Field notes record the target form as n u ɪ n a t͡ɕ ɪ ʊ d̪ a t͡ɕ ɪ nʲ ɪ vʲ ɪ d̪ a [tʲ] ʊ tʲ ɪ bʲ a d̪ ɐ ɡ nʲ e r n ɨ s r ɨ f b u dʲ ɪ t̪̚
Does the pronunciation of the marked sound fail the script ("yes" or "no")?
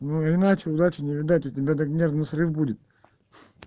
no